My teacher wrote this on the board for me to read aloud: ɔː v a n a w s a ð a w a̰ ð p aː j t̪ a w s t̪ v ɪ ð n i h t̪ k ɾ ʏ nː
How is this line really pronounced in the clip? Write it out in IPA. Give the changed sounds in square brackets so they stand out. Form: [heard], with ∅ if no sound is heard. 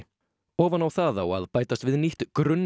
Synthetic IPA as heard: ɔː v a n a w [θ] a ð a w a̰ ð p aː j t̪ a [∅] s t̪ v ɪ ð n i h t̪ k ɾ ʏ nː

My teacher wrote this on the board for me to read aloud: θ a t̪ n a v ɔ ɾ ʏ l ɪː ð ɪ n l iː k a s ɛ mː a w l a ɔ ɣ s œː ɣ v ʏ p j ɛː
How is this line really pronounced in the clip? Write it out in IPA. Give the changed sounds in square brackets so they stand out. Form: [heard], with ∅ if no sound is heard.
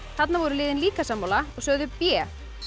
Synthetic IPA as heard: θ a t̪ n a v ɔ ɾ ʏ l ɪː ð ɪ n l iː k a s [a] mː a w l a ɔ ɣ s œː ɣ [ð] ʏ p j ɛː

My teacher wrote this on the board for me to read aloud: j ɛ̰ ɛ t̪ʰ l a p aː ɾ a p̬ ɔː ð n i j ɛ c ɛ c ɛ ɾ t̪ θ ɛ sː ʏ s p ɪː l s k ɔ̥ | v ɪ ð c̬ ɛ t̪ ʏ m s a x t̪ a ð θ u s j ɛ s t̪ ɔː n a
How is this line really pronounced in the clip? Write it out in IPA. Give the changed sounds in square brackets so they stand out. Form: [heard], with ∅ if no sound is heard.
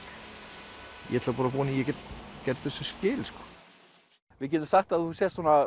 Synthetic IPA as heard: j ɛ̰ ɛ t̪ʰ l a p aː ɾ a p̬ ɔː [∅] n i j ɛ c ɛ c ɛ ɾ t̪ θ ɛ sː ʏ s [c] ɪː l s k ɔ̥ | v ɪ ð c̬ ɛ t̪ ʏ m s a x t̪ a ð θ u s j ɛ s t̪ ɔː n a

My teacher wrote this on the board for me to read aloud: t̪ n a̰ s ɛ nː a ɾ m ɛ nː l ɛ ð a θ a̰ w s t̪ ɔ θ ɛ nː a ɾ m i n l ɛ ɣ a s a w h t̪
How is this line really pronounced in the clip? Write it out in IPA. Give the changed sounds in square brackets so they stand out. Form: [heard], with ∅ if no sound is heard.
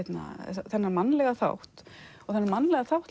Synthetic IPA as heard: t̪ n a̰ [θ] ɛ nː a ɾ m [a] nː l ɛ [ɣ] a θ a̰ w [h] t̪ ɔ θ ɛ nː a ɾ m [a] n l ɛ ɣ a [θ] a w h t̪

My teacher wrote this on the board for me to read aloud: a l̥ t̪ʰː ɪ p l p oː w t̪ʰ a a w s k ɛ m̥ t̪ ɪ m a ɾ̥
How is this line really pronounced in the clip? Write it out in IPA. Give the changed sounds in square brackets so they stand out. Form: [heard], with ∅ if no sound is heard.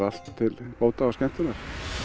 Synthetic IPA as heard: a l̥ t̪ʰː ɪ [∅] l p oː w [t̪] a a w s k ɛ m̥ t̪ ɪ [n] a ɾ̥

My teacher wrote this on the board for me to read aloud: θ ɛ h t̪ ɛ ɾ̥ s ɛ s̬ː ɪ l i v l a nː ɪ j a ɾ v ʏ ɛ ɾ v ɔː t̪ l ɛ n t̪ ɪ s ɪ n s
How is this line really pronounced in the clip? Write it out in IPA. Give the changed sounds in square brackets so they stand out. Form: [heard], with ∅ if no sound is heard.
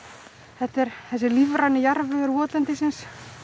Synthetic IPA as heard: θ ɛ h t̪ ɛ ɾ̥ [θ] ɛ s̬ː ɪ l i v [ɾ] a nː ɪ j a ɾ v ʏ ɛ ɾ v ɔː t̪ l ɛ n t̪ ɪ s ɪ n s

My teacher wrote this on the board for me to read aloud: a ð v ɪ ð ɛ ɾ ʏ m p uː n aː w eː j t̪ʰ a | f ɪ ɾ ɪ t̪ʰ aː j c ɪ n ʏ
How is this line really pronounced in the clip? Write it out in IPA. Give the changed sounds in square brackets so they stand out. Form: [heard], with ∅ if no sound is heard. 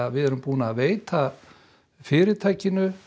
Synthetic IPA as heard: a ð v ɪ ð ɛ ɾ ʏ m p uː n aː [v] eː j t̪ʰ a | f [ɪː] ɾ ɪ t̪ʰ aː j c ɪ n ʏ

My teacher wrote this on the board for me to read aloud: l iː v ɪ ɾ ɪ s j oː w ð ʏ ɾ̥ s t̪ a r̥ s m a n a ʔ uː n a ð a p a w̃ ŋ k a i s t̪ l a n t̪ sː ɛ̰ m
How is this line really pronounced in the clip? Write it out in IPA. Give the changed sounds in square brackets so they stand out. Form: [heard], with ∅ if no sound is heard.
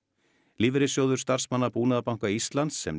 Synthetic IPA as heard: l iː v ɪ ɾ ɪ s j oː w ð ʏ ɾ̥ s t̪ a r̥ s m a [nː] a [p] uː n a ð a p a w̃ ŋ k a i s t̪ l a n t̪ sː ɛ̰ m

